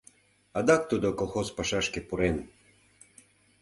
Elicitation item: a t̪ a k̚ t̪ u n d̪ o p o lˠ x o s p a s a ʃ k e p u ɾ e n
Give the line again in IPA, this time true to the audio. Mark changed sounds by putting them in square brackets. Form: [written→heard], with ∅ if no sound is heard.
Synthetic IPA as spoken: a [t̪→d̪] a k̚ t̪ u [n→∅] d̪ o [p→k] o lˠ x o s p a [s→ʃ] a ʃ k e p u ɾ e n